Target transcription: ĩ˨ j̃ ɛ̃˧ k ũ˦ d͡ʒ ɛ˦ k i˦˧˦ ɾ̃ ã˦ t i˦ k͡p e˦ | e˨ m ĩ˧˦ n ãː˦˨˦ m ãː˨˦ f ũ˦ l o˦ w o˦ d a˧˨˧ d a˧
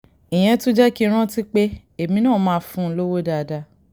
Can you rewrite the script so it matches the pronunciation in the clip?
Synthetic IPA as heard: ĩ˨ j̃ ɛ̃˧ t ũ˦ d͡ʒ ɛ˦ k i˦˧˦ ɾ̃ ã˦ t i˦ k͡p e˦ | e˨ m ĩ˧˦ n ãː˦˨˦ m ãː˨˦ f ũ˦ l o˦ w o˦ d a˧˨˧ d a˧

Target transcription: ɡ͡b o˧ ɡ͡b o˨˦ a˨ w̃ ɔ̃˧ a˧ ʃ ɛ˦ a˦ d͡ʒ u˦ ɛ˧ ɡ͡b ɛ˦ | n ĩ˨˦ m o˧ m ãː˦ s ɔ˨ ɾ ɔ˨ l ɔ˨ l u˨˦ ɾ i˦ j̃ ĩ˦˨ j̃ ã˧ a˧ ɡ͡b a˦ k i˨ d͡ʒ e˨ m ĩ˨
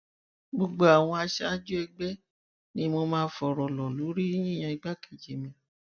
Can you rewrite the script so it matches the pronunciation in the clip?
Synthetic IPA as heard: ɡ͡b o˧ ɡ͡b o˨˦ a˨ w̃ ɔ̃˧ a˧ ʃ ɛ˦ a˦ d͡ʒ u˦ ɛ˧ ɡ͡b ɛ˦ | n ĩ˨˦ m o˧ m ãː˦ f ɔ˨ ɾ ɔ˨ l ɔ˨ l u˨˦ ɾ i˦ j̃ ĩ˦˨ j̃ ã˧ i˧ ɡ͡b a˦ k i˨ d͡ʒ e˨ m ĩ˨

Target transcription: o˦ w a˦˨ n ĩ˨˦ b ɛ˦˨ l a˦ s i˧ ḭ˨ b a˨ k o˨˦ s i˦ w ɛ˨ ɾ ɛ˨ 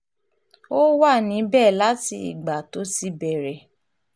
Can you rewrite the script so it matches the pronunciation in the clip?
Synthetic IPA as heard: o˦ w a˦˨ n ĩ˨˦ b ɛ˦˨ l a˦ t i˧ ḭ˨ ɡ͡b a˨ t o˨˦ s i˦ b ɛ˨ ɾ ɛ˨

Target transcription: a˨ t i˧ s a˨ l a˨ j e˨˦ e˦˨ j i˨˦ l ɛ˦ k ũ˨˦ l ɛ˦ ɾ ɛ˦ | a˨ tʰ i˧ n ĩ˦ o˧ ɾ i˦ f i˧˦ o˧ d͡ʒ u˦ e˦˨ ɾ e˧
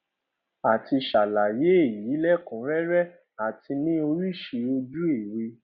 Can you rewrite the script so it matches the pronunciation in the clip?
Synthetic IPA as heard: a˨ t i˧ ʃ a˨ l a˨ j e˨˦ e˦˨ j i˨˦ l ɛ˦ k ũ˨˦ ɾ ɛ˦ ɾ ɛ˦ | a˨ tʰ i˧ n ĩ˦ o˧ ɾ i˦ ʃ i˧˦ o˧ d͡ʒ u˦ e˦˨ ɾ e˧

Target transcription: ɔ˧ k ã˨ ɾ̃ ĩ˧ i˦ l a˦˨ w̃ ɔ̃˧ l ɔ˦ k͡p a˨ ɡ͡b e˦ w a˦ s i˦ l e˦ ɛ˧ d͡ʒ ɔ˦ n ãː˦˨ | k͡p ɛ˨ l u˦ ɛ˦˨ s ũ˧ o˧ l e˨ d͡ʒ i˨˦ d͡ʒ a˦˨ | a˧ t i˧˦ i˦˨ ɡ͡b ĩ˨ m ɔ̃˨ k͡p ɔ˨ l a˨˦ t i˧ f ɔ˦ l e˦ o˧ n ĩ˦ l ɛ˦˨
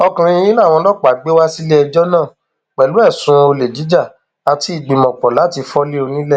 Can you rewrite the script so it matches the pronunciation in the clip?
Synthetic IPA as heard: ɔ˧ k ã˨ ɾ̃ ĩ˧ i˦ l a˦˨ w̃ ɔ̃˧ l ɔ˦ k͡p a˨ ɡ͡b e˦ w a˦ s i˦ l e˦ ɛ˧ d͡ʒ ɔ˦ n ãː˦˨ | k͡p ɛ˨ l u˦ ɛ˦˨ s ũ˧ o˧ l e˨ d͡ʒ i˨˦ d͡ʒ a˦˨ | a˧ t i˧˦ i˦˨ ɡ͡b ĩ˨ m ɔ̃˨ k͡p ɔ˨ l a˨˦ t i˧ f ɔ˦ l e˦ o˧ n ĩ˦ l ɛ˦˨

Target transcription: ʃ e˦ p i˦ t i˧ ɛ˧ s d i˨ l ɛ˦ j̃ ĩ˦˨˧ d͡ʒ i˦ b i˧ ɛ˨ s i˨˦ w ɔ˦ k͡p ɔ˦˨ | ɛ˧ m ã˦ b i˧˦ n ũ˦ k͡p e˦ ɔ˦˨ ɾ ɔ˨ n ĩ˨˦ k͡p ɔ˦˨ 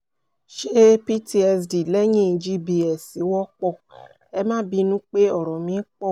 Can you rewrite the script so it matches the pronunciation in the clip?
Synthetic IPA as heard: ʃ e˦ p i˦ t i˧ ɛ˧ s d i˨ l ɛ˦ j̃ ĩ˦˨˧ d͡ʒ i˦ b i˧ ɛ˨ s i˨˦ w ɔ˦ k͡p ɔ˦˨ | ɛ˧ m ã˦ b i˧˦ n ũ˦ k͡p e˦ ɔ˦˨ ɾ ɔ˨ m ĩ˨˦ k͡p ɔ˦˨

